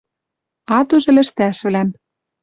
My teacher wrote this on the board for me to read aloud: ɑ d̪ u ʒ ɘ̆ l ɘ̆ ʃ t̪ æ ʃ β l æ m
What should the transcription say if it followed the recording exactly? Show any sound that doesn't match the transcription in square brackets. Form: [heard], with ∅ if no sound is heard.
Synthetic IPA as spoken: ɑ [t̪] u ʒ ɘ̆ l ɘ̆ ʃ t̪ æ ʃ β l æ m